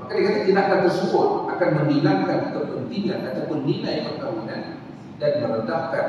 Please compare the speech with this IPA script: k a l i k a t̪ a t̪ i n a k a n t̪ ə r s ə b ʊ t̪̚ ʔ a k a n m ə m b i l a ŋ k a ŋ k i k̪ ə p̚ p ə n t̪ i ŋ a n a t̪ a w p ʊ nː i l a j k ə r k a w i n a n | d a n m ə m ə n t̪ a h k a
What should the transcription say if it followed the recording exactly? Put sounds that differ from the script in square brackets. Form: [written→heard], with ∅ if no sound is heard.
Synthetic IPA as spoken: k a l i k a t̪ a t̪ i n a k a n t̪ ə r s ə b ʊ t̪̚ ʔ a k a n m ə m b i l a ŋ k a [ŋ→n] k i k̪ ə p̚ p ə n t̪ i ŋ a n a t̪ a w p ʊ nː i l a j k ə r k a w i n a n | d a n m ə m ə n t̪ a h k a